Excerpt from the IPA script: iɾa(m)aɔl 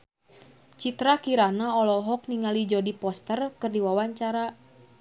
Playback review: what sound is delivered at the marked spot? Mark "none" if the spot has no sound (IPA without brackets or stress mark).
n